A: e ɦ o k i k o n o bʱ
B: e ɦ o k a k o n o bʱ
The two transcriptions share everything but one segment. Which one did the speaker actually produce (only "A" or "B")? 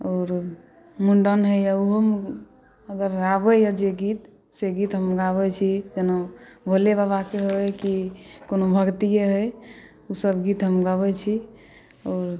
A